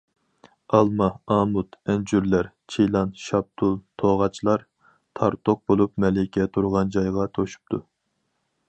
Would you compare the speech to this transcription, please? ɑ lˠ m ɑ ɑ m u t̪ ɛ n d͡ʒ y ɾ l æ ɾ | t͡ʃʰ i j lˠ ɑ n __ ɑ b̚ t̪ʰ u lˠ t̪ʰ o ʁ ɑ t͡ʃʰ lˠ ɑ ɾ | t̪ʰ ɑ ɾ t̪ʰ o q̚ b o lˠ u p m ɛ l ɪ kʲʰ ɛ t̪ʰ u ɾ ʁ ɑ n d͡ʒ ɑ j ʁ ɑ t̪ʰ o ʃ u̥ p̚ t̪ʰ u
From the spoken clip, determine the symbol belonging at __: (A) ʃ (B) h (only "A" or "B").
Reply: A